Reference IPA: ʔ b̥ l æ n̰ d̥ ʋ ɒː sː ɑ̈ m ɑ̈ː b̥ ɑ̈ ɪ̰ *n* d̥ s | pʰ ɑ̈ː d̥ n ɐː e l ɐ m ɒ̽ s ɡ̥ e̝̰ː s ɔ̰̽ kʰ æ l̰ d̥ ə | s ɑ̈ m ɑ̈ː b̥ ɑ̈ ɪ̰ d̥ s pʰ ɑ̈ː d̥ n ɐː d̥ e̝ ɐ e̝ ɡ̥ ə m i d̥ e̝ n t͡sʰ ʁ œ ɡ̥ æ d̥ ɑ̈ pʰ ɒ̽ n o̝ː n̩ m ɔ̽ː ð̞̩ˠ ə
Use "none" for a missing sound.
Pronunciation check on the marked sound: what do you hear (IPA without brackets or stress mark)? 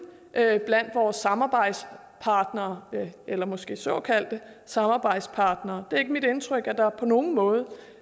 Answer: none